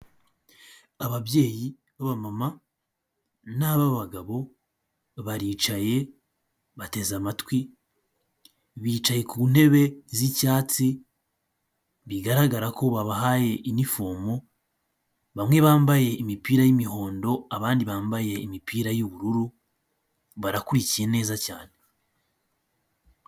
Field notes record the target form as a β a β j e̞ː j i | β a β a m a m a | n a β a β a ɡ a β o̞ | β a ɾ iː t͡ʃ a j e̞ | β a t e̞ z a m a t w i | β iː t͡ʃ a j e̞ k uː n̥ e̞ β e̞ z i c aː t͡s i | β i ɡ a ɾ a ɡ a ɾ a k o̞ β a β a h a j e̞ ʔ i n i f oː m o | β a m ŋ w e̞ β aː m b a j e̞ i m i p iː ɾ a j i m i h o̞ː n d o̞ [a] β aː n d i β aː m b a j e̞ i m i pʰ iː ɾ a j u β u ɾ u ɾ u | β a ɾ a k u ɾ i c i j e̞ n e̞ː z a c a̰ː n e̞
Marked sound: correct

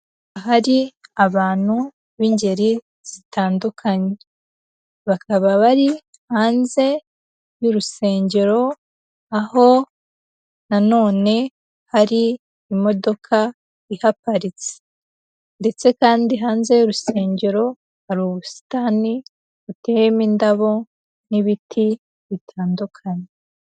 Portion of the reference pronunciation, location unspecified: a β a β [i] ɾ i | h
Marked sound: incorrect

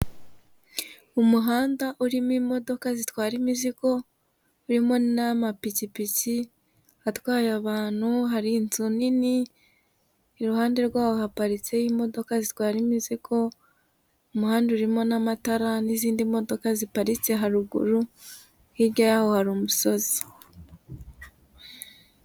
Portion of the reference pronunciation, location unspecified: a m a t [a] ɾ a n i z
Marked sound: correct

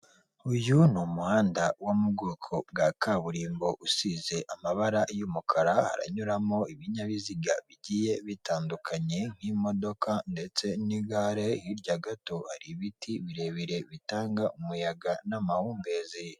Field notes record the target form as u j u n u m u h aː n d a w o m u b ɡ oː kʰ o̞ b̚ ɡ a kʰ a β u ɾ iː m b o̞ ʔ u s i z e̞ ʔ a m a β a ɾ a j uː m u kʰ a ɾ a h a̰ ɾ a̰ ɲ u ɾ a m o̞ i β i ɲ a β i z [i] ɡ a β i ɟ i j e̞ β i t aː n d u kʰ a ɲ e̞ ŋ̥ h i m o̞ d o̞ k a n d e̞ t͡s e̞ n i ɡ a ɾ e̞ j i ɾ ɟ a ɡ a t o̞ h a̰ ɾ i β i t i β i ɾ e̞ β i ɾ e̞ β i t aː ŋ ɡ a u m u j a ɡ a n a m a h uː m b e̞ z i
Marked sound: correct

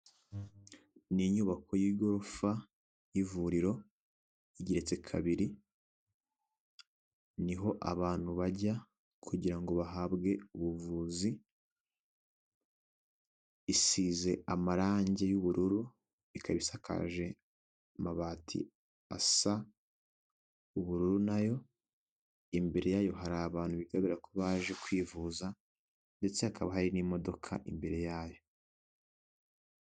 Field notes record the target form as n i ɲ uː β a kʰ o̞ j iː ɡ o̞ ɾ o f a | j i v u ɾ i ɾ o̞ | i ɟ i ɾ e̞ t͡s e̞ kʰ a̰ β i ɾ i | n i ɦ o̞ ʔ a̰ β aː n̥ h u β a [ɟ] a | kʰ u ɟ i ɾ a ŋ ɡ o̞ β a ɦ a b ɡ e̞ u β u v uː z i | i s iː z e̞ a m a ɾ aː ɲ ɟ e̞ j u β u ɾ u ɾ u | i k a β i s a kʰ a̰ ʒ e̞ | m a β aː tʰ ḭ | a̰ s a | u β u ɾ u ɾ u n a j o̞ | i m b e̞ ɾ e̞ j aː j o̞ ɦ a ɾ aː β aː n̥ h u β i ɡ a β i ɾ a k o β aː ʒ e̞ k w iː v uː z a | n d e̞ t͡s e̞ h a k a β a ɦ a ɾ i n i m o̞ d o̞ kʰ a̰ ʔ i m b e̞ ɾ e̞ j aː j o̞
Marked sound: correct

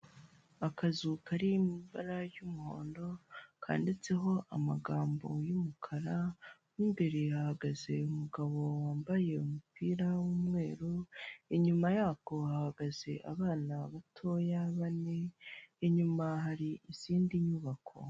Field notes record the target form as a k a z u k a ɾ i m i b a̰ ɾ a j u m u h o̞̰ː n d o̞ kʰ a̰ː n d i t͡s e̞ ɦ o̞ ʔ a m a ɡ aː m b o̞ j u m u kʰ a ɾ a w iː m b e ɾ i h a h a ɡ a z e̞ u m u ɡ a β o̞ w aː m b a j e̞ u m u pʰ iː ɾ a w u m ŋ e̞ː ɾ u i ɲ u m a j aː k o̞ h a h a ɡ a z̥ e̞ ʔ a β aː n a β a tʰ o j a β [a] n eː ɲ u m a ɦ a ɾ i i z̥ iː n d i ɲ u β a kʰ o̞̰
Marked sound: correct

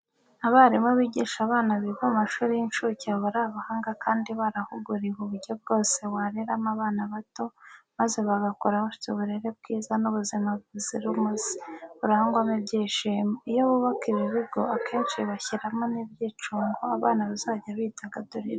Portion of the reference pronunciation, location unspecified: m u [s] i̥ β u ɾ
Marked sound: incorrect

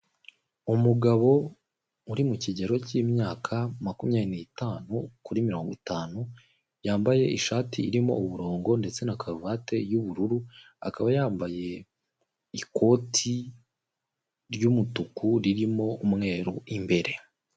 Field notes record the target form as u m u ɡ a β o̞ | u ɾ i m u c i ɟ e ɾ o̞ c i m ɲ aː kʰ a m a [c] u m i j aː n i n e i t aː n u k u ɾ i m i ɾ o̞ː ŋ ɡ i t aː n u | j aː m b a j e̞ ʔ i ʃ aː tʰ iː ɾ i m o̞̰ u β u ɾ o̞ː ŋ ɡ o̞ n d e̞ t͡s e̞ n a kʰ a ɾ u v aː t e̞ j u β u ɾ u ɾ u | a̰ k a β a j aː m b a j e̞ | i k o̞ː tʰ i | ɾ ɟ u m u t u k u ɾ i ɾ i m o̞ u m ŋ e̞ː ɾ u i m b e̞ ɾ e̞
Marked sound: incorrect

